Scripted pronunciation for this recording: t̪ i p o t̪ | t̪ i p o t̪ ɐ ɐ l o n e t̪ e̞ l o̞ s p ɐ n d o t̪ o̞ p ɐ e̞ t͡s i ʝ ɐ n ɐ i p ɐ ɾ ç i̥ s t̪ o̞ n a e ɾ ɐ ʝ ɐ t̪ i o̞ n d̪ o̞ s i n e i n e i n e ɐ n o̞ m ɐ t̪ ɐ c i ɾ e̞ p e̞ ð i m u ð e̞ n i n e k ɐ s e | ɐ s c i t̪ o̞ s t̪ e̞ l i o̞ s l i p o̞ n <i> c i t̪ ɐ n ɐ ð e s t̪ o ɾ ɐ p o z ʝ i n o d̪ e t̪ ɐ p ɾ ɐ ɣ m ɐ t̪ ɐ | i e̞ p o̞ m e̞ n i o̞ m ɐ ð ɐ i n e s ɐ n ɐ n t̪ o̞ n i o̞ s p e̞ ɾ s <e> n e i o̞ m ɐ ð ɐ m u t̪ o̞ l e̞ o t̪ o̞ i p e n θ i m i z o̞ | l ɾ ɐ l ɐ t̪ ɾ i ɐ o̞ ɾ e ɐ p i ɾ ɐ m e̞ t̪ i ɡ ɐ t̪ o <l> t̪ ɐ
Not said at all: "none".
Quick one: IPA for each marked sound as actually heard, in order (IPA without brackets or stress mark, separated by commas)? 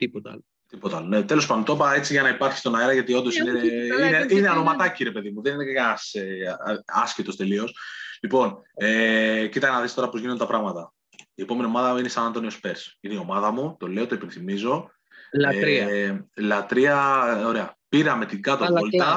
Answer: e, i, l